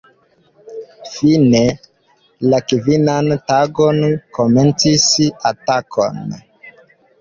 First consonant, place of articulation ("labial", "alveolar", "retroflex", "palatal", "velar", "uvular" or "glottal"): labial